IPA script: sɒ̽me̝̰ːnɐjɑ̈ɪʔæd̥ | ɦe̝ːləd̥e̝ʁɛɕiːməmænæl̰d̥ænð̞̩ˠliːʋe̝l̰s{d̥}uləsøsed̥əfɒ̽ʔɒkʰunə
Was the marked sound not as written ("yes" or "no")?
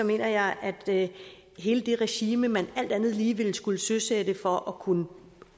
yes